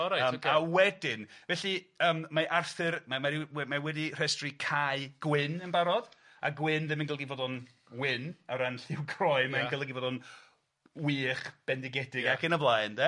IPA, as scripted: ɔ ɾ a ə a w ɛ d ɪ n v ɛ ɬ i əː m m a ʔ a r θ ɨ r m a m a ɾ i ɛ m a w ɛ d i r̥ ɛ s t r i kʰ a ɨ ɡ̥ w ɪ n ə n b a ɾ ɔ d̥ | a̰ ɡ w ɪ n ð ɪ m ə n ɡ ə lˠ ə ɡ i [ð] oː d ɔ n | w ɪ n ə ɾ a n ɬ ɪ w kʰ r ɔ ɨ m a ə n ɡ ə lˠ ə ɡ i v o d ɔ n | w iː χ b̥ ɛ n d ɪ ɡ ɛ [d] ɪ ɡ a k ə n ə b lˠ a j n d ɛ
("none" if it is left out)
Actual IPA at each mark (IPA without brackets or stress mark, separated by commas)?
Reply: v, d